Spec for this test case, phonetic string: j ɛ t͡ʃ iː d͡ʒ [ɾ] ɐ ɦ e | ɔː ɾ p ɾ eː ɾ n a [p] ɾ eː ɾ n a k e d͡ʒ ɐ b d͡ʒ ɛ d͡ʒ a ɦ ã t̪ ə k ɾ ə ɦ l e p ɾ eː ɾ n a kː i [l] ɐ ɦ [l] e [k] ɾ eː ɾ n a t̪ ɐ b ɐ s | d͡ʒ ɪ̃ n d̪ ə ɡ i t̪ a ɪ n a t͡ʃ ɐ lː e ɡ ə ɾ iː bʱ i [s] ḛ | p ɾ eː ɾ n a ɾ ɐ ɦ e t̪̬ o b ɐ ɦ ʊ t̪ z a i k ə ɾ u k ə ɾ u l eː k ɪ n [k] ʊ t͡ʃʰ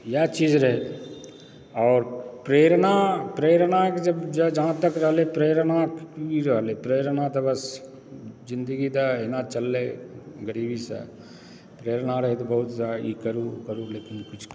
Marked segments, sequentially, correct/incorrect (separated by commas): correct, correct, incorrect, correct, incorrect, correct, correct